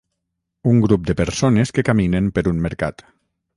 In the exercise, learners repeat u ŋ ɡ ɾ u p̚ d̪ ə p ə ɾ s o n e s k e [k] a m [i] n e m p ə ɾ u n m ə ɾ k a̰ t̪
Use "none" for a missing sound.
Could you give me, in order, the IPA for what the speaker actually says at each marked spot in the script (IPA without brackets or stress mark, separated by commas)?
k, i